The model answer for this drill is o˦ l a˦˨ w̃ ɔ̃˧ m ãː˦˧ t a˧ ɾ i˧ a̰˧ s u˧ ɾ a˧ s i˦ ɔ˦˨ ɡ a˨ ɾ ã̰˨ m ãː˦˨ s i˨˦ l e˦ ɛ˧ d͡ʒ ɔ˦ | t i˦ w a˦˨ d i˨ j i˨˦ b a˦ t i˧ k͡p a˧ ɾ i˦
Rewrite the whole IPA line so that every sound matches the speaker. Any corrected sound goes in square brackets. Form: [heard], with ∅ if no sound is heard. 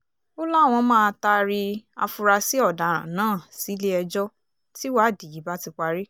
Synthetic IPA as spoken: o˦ l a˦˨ w̃ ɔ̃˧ m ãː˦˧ t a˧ ɾ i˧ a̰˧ [f] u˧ ɾ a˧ s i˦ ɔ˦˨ [d] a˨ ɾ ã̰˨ [n] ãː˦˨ s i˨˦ l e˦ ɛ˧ d͡ʒ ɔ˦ | t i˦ w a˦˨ d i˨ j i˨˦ b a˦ t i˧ k͡p a˧ ɾ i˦